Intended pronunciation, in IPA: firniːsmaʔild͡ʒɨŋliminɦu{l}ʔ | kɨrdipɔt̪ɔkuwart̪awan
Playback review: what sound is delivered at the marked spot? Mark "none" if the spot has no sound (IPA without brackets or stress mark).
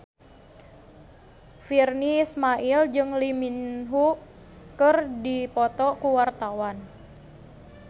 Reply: none